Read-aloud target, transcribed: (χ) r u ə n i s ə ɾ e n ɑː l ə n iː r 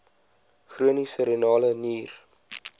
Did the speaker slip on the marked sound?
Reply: no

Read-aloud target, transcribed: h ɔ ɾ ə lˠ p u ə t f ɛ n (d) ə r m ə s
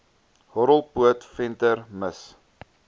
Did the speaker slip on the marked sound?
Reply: yes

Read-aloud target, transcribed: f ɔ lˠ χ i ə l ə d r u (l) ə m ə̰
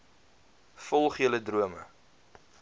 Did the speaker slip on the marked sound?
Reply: yes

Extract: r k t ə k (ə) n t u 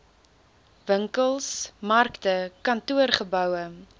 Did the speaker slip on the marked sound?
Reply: yes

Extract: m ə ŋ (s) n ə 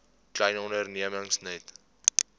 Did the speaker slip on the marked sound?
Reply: no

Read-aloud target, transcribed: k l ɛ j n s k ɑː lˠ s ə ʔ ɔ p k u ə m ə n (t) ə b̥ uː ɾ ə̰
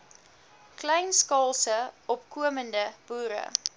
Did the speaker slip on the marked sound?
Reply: yes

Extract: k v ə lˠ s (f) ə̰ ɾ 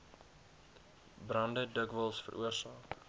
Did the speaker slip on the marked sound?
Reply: no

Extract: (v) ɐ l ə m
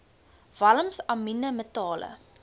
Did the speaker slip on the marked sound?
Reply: no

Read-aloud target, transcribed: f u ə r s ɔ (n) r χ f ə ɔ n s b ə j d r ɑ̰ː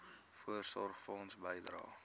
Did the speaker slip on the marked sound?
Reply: yes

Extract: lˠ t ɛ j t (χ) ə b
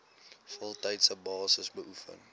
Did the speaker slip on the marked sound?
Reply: yes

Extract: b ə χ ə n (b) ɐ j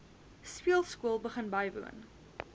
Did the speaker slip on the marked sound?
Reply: no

